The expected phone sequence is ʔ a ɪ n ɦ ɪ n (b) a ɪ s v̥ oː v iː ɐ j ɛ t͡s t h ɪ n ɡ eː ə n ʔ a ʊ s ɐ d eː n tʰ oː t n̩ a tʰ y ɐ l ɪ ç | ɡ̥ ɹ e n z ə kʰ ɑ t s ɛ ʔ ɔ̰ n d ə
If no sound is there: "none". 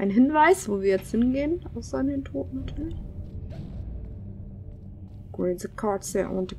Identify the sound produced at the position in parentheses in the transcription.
v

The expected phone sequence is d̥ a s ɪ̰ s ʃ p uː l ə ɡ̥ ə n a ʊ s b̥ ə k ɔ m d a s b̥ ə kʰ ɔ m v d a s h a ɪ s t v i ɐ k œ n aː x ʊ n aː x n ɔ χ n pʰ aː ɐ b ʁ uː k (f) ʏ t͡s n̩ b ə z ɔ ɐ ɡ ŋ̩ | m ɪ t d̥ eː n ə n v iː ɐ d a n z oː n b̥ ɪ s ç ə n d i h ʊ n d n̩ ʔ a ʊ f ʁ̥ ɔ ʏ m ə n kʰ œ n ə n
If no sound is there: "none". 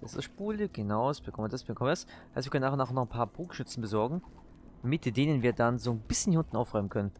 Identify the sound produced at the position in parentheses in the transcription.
ʃ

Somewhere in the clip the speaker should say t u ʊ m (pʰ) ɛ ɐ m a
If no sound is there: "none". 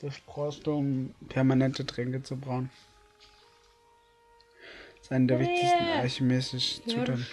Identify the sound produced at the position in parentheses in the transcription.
pʰ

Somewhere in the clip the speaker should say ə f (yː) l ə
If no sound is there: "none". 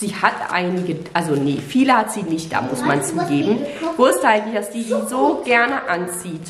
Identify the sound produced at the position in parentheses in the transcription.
iː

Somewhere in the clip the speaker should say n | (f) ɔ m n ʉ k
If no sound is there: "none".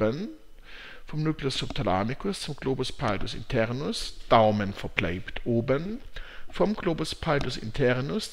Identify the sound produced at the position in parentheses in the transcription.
f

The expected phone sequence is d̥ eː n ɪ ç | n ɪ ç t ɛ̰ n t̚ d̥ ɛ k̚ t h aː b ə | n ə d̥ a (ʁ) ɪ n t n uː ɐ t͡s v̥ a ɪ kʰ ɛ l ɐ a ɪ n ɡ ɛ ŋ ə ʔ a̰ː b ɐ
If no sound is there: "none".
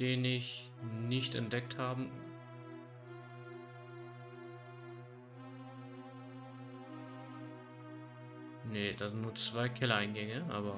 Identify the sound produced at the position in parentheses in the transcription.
z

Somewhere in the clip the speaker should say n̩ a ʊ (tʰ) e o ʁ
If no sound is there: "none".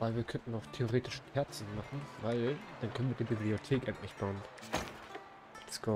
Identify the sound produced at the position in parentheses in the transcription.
tʰ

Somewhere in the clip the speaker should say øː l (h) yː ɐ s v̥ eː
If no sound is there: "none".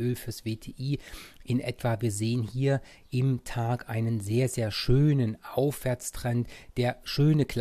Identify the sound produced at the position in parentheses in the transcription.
f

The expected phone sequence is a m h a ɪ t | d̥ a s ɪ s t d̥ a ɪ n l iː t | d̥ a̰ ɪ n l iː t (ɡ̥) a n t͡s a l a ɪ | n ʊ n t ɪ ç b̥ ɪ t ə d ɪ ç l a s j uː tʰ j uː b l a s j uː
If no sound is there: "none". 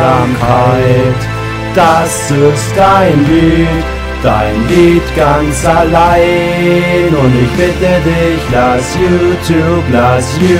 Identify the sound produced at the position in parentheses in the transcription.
ɡ̥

